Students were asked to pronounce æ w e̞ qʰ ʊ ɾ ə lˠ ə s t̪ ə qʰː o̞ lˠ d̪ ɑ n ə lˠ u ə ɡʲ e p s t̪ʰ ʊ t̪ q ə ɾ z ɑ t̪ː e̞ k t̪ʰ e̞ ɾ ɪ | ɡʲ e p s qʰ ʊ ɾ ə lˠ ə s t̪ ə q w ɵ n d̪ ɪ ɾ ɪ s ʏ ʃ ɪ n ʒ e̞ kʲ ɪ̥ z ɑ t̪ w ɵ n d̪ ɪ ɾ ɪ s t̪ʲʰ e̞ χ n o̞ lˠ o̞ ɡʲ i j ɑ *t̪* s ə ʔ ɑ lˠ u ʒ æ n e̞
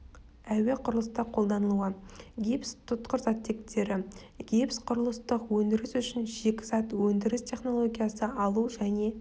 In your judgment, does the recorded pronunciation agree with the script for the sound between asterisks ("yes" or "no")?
no